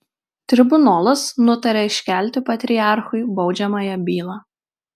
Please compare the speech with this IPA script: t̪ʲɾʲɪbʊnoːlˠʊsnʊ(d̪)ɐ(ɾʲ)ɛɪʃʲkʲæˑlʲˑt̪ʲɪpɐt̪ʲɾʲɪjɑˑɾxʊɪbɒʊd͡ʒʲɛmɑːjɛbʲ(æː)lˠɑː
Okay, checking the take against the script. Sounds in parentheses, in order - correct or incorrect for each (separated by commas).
incorrect, correct, incorrect